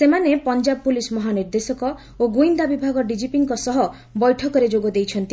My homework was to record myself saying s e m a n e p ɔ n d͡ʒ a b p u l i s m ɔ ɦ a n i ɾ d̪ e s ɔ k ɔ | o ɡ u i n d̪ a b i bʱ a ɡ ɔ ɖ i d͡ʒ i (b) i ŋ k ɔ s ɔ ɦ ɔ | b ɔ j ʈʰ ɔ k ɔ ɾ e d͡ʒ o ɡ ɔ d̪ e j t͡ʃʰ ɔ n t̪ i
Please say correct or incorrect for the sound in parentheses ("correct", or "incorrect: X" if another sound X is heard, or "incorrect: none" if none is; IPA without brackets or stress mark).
incorrect: p